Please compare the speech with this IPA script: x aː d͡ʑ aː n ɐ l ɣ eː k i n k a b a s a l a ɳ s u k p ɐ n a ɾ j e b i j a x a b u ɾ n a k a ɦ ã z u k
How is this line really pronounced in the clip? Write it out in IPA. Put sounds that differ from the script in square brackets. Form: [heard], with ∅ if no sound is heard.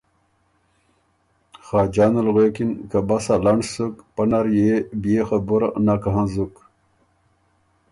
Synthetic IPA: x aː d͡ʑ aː n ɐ l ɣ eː k i n k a b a s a l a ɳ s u k p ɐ n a ɾ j e b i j [e] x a b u ɾ n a k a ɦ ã z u k